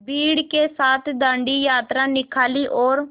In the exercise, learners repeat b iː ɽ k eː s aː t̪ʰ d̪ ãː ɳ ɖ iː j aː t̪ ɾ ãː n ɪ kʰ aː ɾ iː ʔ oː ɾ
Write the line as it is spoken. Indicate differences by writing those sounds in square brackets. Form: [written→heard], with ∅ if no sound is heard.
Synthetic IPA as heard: b iː ɽ k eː s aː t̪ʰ d̪ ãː ɳ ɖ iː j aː t̪ ɾ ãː n ɪ kʰ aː [ɾ→l] iː ʔ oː ɾ